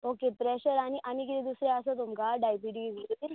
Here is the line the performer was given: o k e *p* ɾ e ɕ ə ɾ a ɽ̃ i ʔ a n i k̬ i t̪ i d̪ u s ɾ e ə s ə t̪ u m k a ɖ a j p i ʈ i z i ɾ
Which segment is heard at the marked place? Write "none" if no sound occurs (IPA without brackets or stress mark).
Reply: p